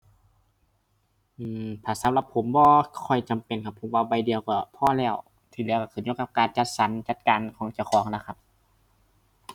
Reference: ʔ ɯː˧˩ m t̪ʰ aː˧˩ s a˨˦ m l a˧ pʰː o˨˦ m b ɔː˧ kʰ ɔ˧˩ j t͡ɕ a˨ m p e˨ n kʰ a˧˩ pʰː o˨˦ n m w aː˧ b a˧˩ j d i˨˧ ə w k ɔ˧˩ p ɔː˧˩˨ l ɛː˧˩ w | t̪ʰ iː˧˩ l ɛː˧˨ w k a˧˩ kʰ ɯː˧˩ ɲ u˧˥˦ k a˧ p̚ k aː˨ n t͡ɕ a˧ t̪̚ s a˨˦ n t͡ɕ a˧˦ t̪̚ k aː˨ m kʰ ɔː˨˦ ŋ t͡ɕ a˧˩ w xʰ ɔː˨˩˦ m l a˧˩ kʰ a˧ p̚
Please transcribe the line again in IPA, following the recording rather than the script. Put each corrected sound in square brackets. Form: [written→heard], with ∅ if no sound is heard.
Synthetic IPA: ʔ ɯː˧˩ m t̪ʰ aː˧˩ s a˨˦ m l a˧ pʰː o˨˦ m b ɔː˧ kʰ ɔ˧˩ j t͡ɕ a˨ m p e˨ n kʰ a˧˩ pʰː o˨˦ [n→∅] m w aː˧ b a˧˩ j d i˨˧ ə w k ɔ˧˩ [p→pʰ] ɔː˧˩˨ l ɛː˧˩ w | t̪ʰ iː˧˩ l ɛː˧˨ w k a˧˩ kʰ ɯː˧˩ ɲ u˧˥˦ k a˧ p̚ k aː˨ n t͡ɕ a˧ t̪̚ s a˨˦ n t͡ɕ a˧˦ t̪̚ k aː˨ [m→n] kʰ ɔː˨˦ ŋ t͡ɕ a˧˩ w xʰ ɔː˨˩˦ [m→ŋ] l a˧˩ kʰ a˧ p̚